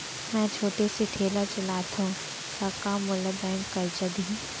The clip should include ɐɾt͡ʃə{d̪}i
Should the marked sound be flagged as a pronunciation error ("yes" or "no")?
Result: no